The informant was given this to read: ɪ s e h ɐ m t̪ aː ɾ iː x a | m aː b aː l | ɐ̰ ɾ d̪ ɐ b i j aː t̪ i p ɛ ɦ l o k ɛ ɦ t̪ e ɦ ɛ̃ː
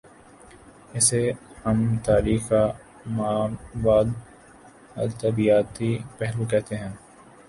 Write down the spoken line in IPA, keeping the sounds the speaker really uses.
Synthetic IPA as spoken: ɪ s e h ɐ m t̪ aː ɾ iː x a | m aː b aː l | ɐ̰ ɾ t̪ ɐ b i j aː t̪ i p ɛ ɦ l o k ɛ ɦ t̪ e ɦ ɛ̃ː

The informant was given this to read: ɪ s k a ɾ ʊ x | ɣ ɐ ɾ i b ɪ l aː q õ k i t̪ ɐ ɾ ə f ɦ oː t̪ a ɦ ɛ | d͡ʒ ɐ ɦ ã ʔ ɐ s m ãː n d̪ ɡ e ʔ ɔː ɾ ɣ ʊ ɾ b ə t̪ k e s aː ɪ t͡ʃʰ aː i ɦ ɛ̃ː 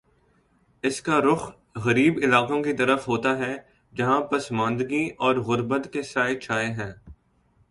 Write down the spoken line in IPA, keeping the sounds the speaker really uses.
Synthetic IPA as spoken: ɪ s k a ɾ ʊ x | ɣ ɐ ɾ iː b ɪ l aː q õ k i t̪ ɐ ɾ ə f ɦ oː t̪ a ɦ ɛ | d͡ʒ ɐ ɦ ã p ɐ s m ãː n d̪ ɡ i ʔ ɔː ɾ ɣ ʊ ɾ b ə t̪ k e s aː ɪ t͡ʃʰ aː e ɦ ɛ̃ː

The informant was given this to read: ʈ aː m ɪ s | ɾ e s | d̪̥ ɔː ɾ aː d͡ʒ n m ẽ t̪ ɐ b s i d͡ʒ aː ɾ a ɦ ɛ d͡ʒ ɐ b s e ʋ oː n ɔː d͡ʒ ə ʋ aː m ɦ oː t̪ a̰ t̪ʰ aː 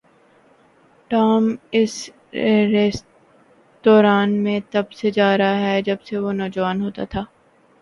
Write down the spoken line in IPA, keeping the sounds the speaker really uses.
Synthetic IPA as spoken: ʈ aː m ɪ s | ɾ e s | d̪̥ ɔː ɾ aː n m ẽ t̪ ɐ b s e d͡ʒ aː ɾ a ɦ ɛ d͡ʒ ɐ b s e ʋ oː n ɔː d͡ʒ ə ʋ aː n ɦ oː t̪ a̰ t̪ʰ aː

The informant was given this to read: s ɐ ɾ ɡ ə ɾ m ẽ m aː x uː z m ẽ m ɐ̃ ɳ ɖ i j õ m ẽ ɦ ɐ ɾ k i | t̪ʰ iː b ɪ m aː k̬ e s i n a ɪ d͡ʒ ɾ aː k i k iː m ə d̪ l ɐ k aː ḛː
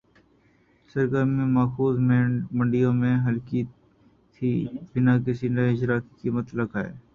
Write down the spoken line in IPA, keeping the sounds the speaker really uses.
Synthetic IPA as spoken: s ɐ ɾ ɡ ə ɾ m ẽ m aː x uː z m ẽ m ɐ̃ ɳ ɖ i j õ m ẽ ɦ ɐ l k i | t̪ʰ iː b ɪ n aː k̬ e s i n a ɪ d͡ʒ ɾ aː k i k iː m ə t̪ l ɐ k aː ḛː

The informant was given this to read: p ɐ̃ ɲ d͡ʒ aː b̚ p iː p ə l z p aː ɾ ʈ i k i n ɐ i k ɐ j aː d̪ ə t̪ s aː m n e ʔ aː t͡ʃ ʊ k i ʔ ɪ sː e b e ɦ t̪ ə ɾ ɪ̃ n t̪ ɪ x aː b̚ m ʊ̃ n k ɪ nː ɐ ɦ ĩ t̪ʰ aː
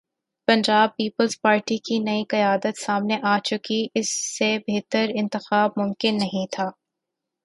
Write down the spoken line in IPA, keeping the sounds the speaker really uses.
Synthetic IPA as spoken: p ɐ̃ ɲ d͡ʒ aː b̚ p iː p ə l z p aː ɾ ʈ i k i n ɐ i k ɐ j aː d̪ ə t̪ s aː m n e ʔ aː t͡ʃ ʊ k i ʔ ɪ sː e b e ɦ t̪ ə ɾ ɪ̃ n t̪ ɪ x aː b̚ m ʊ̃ m k ɪ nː ɐ ɦ ĩ t̪ʰ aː

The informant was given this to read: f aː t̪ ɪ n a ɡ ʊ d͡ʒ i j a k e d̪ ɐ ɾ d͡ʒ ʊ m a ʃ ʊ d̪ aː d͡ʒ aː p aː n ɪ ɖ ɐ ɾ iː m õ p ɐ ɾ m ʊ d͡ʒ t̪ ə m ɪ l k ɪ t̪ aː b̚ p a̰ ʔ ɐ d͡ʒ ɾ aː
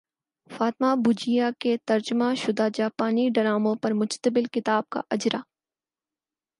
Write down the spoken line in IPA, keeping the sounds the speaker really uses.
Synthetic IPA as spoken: f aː t̪ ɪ m a b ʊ d͡ʒ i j a k e t̪ ɐ ɾ d͡ʒ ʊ m a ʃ ʊ d̪ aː d͡ʒ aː p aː n i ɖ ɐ ɾ aː m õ p ɐ ɾ m ʊ d͡ʒ t̪ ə b ɪ l k ɪ t̪ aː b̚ k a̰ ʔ ɐ d͡ʒ ɾ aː

